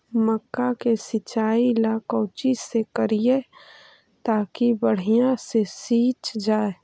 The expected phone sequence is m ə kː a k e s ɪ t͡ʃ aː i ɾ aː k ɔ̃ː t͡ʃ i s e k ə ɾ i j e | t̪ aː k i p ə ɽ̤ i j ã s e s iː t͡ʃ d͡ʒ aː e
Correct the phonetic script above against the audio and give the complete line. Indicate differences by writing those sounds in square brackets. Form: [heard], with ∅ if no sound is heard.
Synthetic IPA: m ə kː a k e s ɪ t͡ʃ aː i [l] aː k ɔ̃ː t͡ʃ i s e k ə ɾ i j e | t̪ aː k i [b] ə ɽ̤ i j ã s e s iː t͡ʃ d͡ʒ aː e